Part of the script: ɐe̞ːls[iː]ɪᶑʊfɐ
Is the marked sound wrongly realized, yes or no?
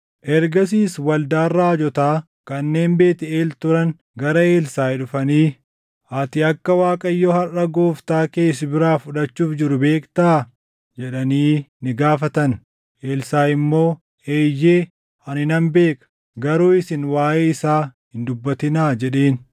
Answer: yes